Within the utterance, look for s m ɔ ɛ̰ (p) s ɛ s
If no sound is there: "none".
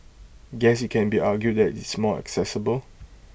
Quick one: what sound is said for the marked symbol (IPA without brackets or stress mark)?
k